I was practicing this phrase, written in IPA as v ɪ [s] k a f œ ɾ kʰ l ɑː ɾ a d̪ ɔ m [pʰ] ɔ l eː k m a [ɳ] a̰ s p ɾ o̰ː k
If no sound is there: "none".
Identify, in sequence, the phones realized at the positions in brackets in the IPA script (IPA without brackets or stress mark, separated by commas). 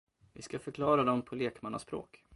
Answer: s, pʰ, n